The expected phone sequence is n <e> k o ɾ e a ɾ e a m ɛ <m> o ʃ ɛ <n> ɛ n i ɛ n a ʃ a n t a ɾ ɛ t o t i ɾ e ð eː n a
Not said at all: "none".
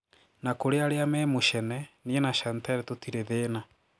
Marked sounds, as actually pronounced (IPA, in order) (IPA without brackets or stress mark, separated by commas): a, m, n